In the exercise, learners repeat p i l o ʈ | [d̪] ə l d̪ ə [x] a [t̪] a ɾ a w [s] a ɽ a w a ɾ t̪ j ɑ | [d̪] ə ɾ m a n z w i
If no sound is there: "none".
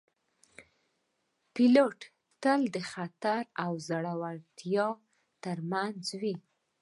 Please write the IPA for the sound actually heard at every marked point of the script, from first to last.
t̪, x, t̪, z, t̪

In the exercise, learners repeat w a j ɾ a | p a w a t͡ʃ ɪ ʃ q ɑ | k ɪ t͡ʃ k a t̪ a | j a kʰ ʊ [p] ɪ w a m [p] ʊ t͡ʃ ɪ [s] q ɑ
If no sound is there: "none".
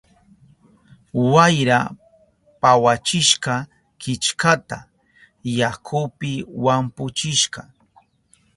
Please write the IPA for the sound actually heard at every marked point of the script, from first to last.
p, p, ʃ

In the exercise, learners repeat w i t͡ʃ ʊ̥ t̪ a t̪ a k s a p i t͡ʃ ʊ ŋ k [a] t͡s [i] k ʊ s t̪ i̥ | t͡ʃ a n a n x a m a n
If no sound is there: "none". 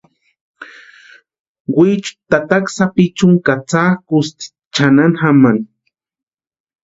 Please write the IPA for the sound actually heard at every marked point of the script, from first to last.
a, a

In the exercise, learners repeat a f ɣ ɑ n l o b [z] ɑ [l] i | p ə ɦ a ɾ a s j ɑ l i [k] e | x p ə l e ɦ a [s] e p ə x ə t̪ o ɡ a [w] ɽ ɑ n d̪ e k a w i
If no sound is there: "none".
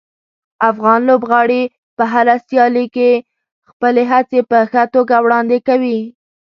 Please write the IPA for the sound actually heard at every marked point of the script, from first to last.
ɣ, ɽ, k, t͡s, w

